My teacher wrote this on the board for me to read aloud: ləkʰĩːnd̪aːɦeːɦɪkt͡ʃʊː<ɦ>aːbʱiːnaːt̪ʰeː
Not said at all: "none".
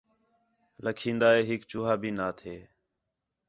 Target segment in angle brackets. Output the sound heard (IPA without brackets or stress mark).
ɦ